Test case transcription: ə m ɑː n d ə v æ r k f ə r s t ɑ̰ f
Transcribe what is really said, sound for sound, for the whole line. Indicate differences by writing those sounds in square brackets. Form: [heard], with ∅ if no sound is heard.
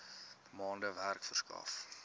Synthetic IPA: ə m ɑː n d ə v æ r k f ə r s [k] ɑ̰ f